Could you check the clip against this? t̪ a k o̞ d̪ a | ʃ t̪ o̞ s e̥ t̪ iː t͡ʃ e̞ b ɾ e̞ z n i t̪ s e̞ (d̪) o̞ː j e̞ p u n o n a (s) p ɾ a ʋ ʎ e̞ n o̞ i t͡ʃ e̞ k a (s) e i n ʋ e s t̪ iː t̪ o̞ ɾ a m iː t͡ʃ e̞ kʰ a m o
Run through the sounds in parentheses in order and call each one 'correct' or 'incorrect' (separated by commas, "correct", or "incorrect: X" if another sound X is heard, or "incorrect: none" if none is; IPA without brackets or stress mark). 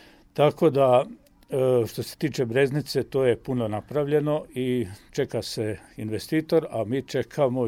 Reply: incorrect: t̪, incorrect: none, correct